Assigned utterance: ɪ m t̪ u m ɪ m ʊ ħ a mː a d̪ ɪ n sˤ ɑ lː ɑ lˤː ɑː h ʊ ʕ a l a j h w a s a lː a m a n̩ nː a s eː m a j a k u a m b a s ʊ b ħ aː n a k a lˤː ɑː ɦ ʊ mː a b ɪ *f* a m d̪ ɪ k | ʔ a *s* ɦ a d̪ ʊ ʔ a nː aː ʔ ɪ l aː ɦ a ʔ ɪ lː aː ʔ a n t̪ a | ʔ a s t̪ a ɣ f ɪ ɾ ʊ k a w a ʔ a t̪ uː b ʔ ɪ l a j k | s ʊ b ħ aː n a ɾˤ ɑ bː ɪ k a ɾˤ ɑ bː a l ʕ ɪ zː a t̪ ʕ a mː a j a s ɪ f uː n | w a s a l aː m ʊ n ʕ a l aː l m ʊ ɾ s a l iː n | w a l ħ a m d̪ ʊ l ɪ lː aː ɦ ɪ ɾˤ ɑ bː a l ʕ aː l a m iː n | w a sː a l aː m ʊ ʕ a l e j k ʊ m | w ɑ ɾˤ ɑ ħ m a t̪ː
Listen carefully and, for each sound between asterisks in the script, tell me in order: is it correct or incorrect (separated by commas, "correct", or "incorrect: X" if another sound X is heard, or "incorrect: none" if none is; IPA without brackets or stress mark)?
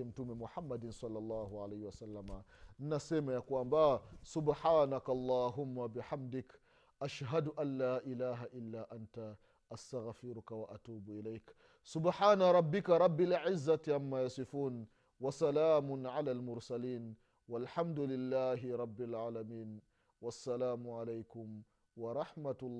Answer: incorrect: ħ, incorrect: ʃ